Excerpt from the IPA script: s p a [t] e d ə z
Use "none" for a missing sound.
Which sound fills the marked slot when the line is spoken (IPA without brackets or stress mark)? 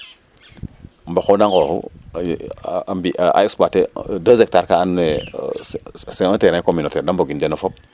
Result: t